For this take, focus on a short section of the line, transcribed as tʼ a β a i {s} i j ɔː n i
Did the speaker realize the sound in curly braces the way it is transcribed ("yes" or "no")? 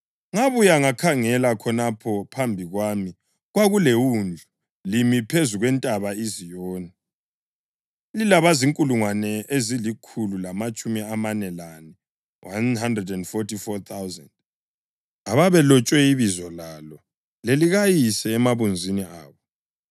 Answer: no